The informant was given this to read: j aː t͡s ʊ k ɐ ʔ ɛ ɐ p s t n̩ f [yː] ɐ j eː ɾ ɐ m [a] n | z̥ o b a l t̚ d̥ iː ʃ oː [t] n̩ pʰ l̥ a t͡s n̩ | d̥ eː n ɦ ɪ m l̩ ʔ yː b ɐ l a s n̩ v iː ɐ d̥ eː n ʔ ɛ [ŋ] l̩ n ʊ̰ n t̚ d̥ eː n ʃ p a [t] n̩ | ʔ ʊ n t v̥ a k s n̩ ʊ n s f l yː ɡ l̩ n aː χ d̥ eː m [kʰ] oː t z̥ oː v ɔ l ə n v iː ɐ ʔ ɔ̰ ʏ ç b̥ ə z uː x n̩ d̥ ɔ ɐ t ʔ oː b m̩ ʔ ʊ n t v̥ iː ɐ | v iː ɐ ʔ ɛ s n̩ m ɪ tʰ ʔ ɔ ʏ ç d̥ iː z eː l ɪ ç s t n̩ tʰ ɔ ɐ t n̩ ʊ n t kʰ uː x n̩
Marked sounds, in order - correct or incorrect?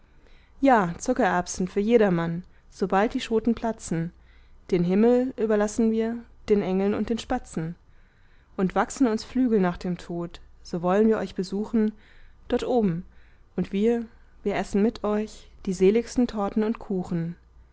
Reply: correct, correct, correct, correct, incorrect: t͡s, incorrect: tʰ

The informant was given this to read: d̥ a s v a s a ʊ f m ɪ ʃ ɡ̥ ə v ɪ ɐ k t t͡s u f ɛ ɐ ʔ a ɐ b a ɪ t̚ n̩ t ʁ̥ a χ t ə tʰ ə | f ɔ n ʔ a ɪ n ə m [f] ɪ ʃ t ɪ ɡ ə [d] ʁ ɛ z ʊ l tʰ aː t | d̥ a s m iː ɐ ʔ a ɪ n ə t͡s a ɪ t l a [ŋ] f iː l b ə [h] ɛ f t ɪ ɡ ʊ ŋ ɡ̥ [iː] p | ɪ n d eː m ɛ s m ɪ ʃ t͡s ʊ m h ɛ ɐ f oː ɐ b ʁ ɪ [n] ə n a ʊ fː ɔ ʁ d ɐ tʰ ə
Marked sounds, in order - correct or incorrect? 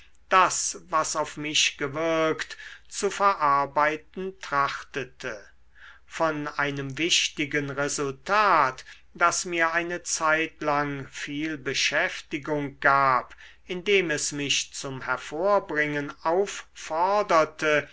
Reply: incorrect: v, incorrect: n, correct, incorrect: ʃ, incorrect: aː, incorrect: ŋ

